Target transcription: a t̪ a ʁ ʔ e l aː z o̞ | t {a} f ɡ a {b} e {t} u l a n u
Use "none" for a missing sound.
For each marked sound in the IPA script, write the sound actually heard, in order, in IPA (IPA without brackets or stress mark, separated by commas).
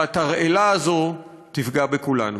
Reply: i, b, k